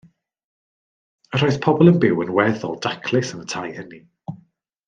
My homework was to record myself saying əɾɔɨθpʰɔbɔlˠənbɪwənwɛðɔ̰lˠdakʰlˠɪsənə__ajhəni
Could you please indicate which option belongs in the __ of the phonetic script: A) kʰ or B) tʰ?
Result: B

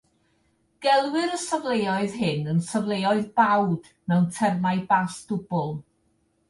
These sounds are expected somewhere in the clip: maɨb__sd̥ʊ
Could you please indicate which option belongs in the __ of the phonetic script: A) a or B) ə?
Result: A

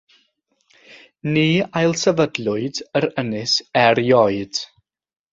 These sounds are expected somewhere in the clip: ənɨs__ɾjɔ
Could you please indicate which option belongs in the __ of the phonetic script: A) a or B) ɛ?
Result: B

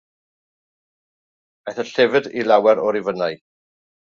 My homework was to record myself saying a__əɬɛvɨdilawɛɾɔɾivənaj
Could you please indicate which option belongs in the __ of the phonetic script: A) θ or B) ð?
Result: A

